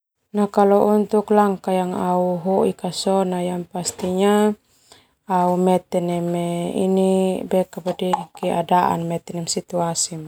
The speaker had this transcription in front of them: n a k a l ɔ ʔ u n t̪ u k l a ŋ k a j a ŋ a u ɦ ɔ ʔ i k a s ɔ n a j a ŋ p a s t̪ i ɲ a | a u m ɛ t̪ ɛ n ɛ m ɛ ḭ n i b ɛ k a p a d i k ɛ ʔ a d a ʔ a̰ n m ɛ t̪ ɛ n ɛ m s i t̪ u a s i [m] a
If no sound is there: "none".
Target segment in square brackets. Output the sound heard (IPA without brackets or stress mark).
m